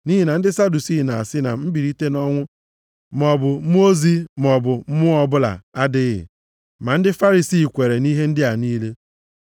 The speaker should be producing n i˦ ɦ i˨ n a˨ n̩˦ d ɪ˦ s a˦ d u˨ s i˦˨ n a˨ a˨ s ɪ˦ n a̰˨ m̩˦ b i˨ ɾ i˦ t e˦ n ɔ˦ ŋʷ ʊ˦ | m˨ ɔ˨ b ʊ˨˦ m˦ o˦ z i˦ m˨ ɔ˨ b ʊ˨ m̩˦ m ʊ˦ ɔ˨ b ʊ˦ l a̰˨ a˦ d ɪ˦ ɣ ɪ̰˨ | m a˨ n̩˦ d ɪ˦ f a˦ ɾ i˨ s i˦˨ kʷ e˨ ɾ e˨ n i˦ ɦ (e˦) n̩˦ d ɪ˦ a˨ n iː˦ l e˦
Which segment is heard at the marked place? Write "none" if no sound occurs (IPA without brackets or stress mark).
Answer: e˦